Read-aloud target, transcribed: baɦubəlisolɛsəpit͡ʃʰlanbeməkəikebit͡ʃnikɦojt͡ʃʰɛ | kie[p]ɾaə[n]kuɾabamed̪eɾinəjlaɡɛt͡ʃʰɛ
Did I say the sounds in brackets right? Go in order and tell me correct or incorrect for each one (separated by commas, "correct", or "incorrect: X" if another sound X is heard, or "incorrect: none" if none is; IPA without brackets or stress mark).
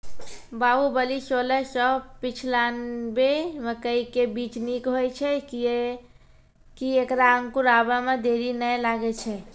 incorrect: k, incorrect: ŋ